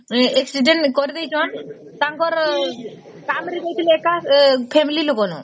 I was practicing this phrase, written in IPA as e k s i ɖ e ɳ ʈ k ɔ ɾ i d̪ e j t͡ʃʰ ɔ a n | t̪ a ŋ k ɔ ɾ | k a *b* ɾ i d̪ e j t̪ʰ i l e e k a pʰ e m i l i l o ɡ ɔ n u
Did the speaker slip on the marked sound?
yes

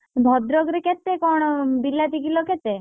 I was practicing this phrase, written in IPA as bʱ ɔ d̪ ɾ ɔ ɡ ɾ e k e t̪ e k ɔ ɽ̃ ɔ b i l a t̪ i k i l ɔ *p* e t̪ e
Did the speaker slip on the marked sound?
yes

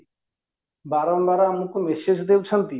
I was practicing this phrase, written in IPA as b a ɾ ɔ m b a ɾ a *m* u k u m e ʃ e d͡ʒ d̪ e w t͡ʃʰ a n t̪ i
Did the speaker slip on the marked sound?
no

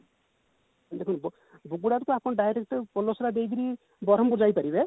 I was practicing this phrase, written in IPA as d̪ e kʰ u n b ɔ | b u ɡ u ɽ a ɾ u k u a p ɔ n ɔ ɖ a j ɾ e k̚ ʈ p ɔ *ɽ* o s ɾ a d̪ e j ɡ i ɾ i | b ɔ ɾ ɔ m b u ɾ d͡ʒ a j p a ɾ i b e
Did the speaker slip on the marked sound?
yes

